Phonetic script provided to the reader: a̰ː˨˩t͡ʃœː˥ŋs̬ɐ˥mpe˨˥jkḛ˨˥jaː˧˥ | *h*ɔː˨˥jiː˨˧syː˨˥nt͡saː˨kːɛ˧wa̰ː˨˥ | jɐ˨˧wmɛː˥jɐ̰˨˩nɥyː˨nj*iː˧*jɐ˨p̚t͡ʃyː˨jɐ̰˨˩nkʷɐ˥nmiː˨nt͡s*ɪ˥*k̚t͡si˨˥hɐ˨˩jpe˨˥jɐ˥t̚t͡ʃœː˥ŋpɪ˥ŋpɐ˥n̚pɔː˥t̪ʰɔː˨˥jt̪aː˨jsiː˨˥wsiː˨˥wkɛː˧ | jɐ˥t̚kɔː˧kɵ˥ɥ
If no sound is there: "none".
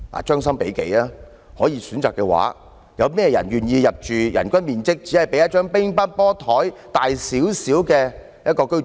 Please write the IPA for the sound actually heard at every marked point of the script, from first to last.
h, iː˧, ɪ˥

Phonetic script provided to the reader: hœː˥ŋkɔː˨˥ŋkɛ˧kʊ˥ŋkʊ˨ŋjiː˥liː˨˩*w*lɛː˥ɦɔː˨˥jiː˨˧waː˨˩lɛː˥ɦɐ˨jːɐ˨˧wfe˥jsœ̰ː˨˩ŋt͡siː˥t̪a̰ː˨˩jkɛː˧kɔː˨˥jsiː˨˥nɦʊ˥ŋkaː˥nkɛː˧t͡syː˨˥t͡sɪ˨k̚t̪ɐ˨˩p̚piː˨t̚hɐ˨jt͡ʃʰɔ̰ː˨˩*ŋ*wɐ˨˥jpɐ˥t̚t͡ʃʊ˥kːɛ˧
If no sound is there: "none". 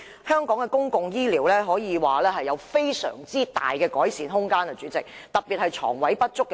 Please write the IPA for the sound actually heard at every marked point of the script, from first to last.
w, ŋ

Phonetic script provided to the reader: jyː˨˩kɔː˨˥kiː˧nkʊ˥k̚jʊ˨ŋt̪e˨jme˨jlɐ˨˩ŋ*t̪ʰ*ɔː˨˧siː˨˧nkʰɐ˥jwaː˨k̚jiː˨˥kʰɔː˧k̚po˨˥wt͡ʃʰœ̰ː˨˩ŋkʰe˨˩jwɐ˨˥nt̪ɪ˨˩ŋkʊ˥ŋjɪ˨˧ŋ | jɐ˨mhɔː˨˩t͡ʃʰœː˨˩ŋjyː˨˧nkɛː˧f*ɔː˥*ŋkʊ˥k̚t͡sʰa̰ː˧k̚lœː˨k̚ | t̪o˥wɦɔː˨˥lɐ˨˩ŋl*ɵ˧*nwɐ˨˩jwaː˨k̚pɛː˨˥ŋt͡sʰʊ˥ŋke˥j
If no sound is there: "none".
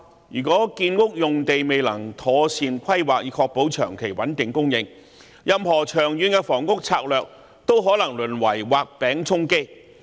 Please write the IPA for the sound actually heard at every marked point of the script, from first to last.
t̪ʰ, ɔː˨˩, ɵ˨˩

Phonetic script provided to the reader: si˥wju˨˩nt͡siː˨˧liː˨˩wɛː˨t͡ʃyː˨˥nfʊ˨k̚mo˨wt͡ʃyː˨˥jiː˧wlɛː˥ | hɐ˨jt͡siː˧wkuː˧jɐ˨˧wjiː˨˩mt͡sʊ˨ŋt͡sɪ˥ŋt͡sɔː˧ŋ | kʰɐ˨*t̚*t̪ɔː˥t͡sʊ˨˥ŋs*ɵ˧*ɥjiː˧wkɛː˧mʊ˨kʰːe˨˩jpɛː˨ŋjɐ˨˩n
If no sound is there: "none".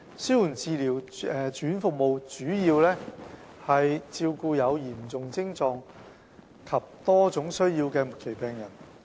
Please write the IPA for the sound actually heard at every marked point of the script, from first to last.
p̚, ɵ˥

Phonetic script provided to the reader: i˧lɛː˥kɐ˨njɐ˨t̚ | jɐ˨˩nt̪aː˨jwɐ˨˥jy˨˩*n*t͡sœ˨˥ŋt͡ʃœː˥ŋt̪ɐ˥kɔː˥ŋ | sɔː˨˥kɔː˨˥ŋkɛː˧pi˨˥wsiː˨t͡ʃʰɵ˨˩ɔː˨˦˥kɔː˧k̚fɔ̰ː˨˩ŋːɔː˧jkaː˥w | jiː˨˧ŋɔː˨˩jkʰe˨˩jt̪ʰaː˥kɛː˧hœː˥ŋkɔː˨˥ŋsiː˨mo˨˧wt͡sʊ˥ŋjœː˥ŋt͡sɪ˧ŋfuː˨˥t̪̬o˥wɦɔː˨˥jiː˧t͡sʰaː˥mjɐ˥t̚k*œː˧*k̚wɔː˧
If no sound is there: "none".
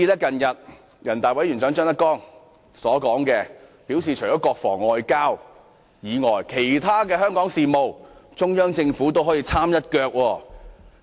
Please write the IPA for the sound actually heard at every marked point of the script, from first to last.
n, œː˧

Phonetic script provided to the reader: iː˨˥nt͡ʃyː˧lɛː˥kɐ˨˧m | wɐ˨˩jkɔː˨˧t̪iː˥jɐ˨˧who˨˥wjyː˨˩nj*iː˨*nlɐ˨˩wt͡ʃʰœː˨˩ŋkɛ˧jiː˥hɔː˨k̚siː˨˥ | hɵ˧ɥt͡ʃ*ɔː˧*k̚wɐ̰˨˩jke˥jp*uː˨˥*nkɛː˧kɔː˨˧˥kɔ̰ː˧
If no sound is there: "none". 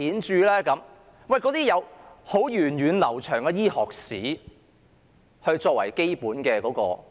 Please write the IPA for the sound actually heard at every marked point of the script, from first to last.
yː˨, ɔː˧, uː˨˥

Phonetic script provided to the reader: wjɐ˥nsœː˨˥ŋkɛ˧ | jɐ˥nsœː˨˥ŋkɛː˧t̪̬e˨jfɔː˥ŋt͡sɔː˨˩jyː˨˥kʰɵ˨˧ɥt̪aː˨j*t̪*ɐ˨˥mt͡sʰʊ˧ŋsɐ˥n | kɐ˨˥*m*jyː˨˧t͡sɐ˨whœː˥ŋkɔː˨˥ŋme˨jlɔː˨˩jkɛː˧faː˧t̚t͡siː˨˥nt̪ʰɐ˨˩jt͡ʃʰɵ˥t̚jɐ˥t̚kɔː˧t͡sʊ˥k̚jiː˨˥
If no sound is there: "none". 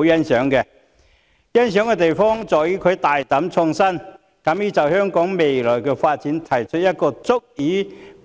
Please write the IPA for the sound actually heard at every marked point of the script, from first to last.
t̪, m

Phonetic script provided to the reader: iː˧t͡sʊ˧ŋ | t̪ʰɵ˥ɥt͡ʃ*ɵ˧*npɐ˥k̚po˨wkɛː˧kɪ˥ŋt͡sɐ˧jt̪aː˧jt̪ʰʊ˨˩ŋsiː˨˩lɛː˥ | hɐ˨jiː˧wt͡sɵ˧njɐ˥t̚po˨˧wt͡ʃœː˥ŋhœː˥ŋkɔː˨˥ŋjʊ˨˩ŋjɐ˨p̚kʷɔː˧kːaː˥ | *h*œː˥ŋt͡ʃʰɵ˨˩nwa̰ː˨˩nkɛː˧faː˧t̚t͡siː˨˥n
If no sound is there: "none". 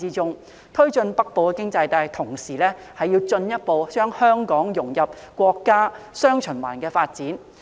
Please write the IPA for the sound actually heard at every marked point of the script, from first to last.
ɵ˧, s

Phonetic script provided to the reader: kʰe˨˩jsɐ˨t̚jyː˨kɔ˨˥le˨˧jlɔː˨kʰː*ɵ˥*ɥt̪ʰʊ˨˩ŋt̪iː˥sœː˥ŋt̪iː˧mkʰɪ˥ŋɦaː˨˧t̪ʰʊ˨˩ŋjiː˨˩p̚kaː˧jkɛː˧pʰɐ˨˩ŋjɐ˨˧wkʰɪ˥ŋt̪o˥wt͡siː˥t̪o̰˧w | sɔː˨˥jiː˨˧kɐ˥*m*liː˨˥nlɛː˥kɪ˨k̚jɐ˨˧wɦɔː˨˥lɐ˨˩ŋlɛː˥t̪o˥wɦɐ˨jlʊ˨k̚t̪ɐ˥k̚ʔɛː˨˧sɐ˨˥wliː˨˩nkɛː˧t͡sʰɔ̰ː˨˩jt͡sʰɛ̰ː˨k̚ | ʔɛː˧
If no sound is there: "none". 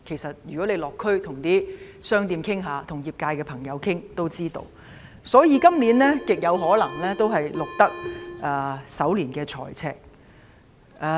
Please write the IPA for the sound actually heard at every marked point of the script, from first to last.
ɵ˥, m

